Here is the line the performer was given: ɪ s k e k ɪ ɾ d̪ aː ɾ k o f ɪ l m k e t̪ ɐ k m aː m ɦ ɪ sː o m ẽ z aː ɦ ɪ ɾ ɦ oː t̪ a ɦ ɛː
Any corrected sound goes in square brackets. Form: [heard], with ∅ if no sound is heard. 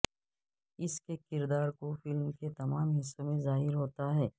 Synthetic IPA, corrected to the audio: ɪ s k e k ɪ ɾ d̪ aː ɾ k o f ɪ l m k e t̪ ɐ [∅] m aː m ɦ ɪ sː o m ẽ z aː ɦ ɪ ɾ ɦ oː t̪ a ɦ ɛː